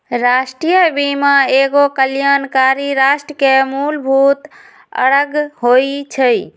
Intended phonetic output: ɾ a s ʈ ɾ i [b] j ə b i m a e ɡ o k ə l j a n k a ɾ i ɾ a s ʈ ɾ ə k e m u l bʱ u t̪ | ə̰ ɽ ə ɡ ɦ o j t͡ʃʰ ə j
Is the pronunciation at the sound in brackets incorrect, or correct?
incorrect